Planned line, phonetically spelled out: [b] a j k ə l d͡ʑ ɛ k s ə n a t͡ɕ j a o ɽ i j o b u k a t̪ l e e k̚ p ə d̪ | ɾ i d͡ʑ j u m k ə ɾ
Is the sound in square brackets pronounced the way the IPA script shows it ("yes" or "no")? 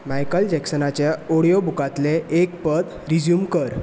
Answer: no